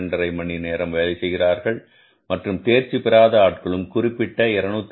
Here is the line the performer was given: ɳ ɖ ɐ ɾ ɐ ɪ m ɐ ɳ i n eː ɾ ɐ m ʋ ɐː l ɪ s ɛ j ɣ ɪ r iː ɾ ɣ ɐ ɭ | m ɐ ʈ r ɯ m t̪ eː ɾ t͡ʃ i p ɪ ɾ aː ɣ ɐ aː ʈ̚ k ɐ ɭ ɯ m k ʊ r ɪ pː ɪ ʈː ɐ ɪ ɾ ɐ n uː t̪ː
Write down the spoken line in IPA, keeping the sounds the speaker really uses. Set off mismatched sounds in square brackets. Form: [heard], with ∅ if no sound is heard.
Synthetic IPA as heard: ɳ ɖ ɐ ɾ ɐ ɪ m ɐ ɳ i n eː ɾ ɐ m ʋ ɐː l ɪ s ɛ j ɣ ɪ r [aː] ɾ ɣ ɐ ɭ | m ɐ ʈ r ɯ m t̪ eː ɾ t͡ʃ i p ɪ ɾ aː [ð] ɐ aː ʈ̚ k ɐ ɭ ɯ m k ʊ r ɪ pː ɪ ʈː ɐ ɪ ɾ ɐ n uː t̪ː